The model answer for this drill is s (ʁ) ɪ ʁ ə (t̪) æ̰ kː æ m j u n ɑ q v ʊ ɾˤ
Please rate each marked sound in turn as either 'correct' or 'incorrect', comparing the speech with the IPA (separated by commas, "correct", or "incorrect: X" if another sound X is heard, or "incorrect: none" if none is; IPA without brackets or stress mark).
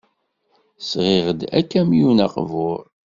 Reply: correct, incorrect: d̪